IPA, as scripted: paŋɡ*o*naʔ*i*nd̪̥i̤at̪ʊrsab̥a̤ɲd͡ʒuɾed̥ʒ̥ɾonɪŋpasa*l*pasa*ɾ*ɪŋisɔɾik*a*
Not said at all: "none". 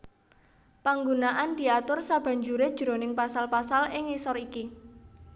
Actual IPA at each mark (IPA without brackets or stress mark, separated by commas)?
u, a, l, l, i